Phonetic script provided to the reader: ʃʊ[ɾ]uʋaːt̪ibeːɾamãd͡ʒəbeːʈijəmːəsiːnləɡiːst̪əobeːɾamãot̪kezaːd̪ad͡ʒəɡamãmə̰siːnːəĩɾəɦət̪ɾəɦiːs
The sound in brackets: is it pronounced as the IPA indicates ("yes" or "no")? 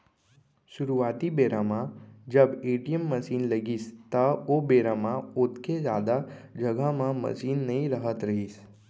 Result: yes